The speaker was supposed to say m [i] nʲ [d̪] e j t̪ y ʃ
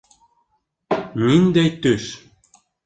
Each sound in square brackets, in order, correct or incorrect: correct, correct

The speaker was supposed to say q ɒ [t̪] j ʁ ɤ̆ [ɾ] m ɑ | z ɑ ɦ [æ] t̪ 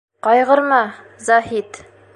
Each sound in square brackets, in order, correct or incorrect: incorrect: none, correct, incorrect: i

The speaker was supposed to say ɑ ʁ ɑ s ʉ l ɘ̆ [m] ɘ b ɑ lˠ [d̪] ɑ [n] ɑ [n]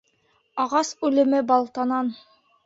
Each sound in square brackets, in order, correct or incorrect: correct, incorrect: t̪, correct, correct

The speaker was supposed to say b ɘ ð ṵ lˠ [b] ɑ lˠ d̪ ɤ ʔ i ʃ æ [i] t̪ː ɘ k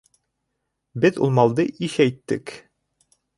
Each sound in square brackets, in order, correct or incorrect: incorrect: m, incorrect: j

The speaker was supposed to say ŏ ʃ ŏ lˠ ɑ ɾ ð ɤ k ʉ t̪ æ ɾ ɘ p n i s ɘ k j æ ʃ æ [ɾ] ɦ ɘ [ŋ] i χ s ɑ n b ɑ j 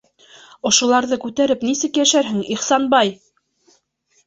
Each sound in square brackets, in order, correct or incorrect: correct, correct

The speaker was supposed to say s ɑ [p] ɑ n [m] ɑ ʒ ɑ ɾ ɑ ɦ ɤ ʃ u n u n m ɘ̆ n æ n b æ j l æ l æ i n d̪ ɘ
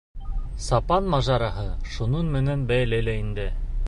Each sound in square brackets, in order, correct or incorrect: correct, correct

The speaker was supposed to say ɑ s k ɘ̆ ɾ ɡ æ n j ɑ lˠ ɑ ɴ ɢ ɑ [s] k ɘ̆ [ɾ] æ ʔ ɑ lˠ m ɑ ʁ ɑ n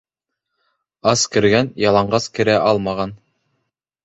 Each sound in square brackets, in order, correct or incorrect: correct, correct

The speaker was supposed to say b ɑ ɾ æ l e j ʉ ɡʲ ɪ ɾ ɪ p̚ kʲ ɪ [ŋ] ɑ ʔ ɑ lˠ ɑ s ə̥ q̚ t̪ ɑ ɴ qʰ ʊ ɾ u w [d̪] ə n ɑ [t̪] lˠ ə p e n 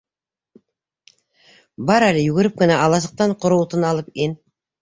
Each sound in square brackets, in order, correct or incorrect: incorrect: n, incorrect: t̪, incorrect: none

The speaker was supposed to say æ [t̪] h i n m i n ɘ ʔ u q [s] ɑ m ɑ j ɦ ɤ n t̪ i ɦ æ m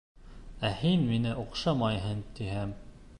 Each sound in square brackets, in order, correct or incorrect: incorrect: none, incorrect: ʃ

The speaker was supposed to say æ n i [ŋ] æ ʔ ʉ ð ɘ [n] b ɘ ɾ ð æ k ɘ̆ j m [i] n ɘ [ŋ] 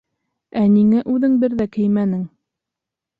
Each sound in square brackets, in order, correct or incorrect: correct, incorrect: ŋ, incorrect: æ, correct

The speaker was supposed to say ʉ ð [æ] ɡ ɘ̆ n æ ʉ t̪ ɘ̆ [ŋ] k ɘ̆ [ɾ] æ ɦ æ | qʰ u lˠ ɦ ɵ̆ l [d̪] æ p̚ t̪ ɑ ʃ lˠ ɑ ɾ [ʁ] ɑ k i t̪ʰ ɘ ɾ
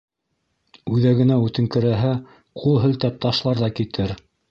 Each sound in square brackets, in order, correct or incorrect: correct, correct, correct, incorrect: t̪, incorrect: ð

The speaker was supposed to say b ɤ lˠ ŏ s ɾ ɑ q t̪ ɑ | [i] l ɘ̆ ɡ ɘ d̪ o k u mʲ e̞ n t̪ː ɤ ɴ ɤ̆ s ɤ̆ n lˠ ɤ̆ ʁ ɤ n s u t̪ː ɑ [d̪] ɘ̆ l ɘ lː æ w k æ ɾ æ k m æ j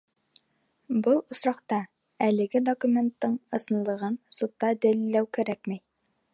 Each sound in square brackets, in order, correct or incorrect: incorrect: æ, correct

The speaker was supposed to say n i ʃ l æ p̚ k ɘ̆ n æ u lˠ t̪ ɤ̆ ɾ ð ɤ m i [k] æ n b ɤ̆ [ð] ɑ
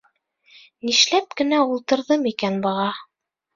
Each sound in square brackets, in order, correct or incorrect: correct, incorrect: ʁ

